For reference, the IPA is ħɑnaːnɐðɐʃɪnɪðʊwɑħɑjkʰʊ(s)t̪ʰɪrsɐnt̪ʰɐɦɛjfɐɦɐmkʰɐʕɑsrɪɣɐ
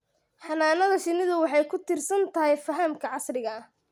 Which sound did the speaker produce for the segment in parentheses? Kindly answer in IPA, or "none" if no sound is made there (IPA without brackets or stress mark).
none